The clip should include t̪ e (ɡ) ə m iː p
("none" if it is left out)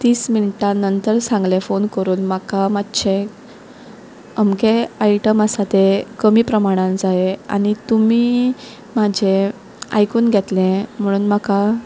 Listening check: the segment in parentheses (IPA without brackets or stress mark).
k